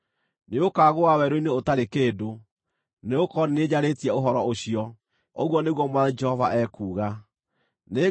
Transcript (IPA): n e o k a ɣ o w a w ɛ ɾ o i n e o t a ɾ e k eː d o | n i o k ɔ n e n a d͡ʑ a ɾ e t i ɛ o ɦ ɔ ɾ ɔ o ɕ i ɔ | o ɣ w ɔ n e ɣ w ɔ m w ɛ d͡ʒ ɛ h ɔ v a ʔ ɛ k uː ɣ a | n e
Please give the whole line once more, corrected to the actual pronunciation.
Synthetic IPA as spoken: n e o k a ɣ o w a w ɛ ɾ o i n e o t a ɾ e k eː d o | n e o k ɔ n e n e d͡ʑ a ɾ e t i ɛ o ɦ ɔ ɾ ɔ o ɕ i ɔ | o ɣ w ɔ n e ɣ w ɔ m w a d͡ʒ ɛ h ɔ v a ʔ ɛ k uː ɣ a | n e